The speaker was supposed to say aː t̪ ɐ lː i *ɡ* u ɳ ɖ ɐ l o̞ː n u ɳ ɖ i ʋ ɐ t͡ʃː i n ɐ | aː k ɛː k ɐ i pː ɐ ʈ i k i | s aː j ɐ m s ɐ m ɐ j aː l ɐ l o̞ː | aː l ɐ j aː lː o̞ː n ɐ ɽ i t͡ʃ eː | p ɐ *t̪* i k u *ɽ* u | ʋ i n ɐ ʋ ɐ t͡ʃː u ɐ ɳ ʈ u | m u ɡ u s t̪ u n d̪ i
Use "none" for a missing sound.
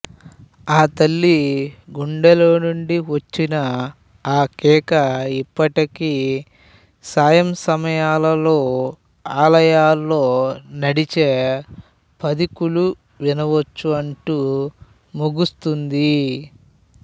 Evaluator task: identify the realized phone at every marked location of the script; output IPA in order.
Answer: ɡ, d̪, l

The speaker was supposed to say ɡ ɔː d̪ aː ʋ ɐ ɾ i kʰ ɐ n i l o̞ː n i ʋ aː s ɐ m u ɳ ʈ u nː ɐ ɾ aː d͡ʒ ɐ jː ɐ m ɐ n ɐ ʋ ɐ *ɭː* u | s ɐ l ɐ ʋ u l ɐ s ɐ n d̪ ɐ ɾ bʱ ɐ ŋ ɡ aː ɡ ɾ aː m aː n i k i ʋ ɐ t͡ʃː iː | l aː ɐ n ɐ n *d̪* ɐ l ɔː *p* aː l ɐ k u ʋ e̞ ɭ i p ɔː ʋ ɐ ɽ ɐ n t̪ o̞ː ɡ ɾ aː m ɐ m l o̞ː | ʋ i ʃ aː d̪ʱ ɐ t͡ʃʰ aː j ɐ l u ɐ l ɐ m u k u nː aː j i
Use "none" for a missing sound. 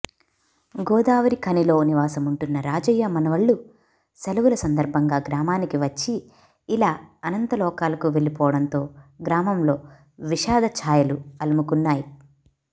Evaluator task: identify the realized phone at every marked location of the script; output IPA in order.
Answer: ɭː, t̪, k

